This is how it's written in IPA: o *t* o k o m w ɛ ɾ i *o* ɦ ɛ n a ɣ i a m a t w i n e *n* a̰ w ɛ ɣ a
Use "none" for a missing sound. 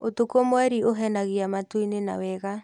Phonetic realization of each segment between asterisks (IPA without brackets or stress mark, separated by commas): t, o, n